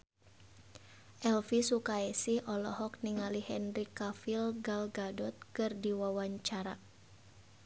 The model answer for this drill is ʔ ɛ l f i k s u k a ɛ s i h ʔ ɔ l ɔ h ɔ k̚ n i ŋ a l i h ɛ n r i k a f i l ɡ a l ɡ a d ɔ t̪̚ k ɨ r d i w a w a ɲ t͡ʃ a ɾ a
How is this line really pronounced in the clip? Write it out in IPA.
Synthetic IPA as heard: ʔ ɛ l f i s u k a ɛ s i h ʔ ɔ l ɔ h ɔ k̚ n i ŋ a l i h ɛ n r i k a f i l ɡ a l ɡ a d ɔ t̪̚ k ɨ r d i w a w a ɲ t͡ʃ a ɾ a

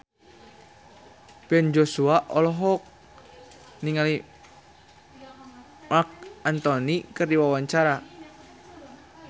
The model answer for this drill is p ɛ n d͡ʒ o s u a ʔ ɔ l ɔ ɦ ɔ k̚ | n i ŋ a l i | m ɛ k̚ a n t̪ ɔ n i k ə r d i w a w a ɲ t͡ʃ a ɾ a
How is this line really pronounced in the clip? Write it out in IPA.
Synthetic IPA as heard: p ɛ n d͡ʒ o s u a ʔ ɔ l ɔ ɦ ɔ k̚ | n i ŋ a l i | m a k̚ a n t̪ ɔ n i k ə r d i w a w a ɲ t͡ʃ a ɾ a

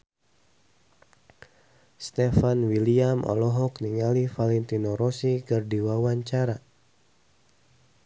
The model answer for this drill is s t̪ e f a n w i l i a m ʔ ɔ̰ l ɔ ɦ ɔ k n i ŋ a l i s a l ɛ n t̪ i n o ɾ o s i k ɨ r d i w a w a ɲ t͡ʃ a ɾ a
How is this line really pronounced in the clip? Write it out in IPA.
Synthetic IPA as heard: s t̪ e f a n w i l i a m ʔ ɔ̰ l ɔ ɦ ɔ k n i ŋ a l i f a l ɛ n t̪ i n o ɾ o s i k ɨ r d i w a w a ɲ t͡ʃ a ɾ a

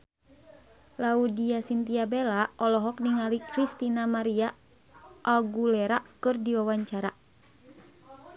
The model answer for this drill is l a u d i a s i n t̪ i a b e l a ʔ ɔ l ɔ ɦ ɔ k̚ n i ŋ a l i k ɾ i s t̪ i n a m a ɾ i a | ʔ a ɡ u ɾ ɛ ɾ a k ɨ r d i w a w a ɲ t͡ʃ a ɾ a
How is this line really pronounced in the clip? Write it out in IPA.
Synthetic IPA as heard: l a u d i a s i n t̪ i a b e l a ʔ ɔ l ɔ ɦ ɔ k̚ n i ŋ a l i k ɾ i s t̪ i n a m a ɾ i a | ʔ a ɡ u l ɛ ɾ a k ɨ r d i w a w a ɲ t͡ʃ a ɾ a

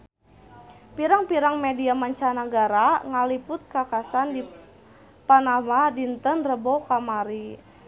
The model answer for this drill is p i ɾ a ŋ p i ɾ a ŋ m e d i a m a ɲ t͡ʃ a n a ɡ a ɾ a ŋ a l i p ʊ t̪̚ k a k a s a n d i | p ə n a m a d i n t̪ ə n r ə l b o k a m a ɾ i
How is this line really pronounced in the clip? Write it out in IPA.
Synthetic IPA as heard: p i ɾ a ŋ p i ɾ a ŋ m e d i a m a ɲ t͡ʃ a n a ɡ a ɾ a ŋ a l i p ʊ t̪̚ k a k a s a n d i | p a n a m a d i n t̪ ə n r ə b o k a m a ɾ i

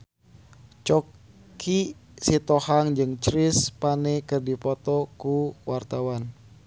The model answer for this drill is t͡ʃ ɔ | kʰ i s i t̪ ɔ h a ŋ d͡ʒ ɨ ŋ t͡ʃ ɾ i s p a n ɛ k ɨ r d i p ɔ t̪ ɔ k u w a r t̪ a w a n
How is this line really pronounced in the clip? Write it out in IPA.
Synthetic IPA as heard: t͡ʃ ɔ | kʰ i s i t̪ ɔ h a ŋ d͡ʒ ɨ ŋ t͡ʃ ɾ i s p a n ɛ k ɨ r d i p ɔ t̪ ɔ k u w a r t̪ a w a n

